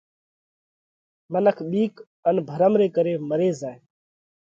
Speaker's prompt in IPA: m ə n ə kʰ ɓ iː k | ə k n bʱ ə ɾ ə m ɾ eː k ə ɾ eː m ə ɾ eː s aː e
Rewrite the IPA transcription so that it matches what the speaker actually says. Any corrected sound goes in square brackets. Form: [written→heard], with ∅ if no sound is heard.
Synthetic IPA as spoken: m ə n ə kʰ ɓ iː k | ə [k→∅] n bʱ ə ɾ ə m ɾ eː k ə ɾ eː m ə ɾ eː [s→z] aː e